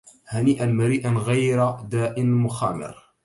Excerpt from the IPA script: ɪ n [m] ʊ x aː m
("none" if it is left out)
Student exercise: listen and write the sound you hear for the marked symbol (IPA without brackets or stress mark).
m